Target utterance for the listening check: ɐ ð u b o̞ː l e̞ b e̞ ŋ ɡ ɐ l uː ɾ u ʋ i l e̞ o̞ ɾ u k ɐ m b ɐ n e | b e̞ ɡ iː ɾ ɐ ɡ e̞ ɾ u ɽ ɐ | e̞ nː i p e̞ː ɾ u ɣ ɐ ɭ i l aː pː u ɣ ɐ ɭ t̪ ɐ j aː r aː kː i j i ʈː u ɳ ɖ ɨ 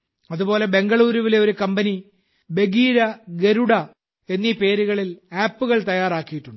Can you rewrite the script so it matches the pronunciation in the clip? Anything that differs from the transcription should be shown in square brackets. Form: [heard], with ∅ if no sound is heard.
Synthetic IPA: ɐ ð u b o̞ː l e̞ b e̞ ŋ ɡ ɐ [ɭ] uː ɾ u ʋ i l e̞ o̞ ɾ u k ɐ m b ɐ n [i] | b e̞ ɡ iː ɾ ɐ ɡ e̞ ɾ u ɽ ɐ | e̞ nː i p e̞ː ɾ u ɣ ɐ ɭ i l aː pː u ɣ ɐ ɭ t̪ ɐ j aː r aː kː i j i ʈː u ɳ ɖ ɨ